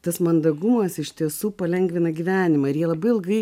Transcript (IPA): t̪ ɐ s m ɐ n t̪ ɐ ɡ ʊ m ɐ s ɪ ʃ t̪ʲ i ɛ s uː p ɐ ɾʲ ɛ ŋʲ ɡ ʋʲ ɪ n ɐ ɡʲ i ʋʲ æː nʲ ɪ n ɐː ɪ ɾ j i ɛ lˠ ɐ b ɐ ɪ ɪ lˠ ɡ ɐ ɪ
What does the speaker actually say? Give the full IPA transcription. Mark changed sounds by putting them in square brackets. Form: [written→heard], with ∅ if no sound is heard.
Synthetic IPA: t̪ ɐ s m ɐ n [t̪→d̪] ɐ ɡ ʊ m ɐ s ɪ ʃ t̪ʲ i ɛ s uː p ɐ [ɾʲ→lʲ] ɛ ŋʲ ɡ ʋʲ ɪ n ɐ ɡʲ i ʋʲ æː nʲ ɪ [n→m] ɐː ɪ ɾ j i ɛ lˠ ɐ b ɐ ɪ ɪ lˠ ɡ ɐ ɪ